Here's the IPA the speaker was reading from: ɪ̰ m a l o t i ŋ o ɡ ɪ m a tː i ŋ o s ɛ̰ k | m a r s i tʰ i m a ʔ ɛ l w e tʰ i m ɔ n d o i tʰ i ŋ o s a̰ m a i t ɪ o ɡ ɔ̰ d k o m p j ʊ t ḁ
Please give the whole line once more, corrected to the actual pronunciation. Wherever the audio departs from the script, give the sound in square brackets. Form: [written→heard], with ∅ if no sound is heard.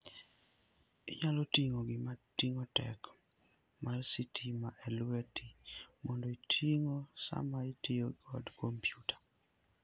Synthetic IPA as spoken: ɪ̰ [m→ɲ] a l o t i ŋ o ɡ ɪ m a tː i ŋ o [s→t] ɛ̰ k | m a r s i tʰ i m a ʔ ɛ l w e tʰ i m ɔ n d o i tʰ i ŋ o s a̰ m a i t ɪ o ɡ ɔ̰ d k o m p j [ʊ→u] t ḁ